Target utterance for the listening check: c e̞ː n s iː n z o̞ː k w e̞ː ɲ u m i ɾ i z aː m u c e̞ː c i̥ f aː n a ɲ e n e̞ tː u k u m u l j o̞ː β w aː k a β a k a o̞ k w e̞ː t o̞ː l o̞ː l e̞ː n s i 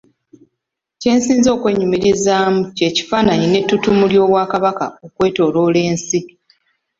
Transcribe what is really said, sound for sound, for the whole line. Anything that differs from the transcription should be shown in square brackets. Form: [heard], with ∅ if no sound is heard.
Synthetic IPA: c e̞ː n s iː n z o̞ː k w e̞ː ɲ u m i ɾ i z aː m u c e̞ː c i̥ f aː n a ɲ [i] n e̞ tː u [t] u m u l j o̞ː β w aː k a β a k a o̞ k w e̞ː t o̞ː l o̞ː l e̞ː n s i